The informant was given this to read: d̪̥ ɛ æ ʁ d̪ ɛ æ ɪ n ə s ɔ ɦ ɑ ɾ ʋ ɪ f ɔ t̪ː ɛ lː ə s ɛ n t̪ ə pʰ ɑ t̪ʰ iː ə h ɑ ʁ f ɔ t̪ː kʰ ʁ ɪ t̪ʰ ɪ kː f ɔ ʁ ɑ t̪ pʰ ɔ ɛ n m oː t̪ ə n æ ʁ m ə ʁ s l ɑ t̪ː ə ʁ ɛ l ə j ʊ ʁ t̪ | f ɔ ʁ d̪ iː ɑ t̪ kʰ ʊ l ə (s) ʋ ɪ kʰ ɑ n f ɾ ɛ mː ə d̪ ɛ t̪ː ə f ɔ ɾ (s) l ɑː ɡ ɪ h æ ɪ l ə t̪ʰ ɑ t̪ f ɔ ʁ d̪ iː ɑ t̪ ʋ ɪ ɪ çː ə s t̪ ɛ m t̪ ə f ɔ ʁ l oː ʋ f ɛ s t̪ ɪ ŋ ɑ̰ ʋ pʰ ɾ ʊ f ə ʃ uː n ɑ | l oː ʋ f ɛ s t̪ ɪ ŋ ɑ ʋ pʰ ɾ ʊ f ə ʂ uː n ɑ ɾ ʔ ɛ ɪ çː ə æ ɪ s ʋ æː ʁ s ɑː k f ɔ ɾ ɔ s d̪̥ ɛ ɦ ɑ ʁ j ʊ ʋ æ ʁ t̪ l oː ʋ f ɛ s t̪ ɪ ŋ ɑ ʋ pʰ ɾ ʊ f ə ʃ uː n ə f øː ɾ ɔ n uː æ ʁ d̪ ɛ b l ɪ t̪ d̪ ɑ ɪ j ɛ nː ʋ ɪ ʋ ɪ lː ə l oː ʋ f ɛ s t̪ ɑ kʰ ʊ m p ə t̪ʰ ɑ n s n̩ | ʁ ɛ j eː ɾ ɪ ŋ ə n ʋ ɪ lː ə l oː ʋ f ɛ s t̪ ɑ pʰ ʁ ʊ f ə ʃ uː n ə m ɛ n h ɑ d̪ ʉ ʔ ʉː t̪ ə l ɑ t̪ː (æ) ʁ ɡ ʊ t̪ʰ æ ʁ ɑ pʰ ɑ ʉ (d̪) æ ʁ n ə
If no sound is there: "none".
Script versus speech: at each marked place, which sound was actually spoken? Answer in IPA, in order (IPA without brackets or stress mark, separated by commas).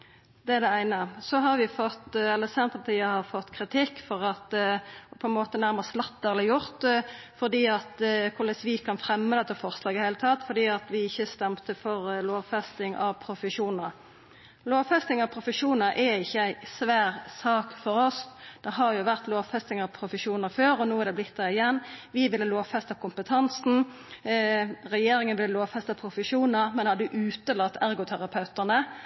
s, s, æ, t̪